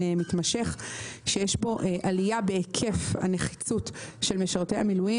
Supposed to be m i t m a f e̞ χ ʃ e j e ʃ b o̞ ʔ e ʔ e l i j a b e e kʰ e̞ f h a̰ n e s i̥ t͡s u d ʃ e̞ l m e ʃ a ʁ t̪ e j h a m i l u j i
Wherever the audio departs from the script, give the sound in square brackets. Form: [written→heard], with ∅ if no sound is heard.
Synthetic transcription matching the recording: m i t m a [f→ʃ] e̞ χ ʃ e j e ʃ b o̞ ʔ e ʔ [e→a] l i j a b e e kʰ e̞ f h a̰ n e [s→χ] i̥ t͡s u [d→t] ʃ e̞ l m e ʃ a ʁ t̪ e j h a m i l u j i

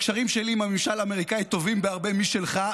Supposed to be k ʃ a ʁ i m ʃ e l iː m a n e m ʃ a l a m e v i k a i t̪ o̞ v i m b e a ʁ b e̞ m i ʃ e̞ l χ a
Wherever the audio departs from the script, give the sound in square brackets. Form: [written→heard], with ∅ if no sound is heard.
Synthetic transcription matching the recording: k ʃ a ʁ i m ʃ e l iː m a [n→m] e m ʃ a l a m e [v→ʁ] i k a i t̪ o̞ v i m b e a ʁ b e̞ m i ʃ e̞ l χ a

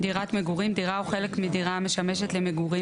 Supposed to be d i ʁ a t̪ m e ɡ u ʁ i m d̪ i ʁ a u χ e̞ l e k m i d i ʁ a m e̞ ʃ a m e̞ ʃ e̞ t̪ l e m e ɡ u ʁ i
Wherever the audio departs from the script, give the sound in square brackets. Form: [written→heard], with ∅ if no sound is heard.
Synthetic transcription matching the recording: d i ʁ a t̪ m e ɡ u ʁ i m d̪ i ʁ a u χ e̞ l e k m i d i ʁ a m e̞ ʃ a m e̞ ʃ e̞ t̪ l e m e ɡ u ʁ i

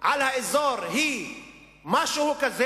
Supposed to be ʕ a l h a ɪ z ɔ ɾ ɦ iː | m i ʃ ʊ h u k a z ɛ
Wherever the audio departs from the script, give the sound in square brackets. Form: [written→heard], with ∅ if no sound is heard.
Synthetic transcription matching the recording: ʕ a l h a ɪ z ɔ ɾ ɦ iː | m [i→a] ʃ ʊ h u k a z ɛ

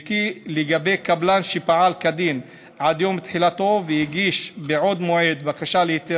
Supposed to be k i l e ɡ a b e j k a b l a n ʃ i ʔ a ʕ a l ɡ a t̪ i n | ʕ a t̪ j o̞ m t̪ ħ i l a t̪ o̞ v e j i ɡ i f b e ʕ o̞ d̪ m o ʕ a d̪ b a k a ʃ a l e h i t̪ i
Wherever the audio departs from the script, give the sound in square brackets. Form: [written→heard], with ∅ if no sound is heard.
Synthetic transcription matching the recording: k i l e ɡ a b e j k a b l a n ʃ i [ʔ→p] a ʕ a l [ɡ→k] a [t̪→d̪] i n | ʕ a [t̪→d̪] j o̞ m t̪ ħ i l a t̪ o̞ v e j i ɡ i [f→ʃ] b e ʕ o̞ d̪ m o ʕ [a→e] d̪ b a k a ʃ a l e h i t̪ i

